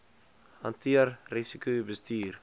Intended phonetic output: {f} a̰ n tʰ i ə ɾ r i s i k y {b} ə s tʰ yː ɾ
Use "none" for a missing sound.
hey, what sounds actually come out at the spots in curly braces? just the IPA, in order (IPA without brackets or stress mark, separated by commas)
h, b